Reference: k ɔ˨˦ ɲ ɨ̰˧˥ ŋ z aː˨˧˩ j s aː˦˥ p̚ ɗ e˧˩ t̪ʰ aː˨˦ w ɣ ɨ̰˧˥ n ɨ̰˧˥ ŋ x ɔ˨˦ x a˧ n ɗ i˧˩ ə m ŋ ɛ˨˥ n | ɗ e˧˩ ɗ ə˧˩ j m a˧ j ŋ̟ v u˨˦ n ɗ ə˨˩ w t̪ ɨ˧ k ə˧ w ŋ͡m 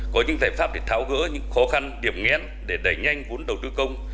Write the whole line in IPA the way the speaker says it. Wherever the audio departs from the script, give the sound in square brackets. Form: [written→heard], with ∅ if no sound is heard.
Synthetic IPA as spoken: k ɔ˨˦ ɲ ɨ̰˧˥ ŋ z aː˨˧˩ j [s→f] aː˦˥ p̚ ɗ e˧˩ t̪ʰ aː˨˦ w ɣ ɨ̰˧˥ [n→ɲ] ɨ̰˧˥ ŋ x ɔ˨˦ x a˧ n ɗ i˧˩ ə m ŋ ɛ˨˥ n | ɗ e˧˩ ɗ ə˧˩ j [m→ɲ] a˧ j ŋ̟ v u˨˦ n ɗ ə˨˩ w t̪ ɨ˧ k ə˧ w ŋ͡m